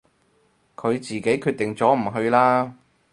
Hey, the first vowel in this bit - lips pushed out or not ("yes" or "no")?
yes